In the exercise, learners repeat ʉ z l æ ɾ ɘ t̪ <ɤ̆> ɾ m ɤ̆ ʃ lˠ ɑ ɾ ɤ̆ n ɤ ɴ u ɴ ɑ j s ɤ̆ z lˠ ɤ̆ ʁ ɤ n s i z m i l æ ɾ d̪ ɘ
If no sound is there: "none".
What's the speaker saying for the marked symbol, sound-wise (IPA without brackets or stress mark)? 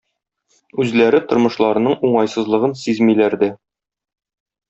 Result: ŏ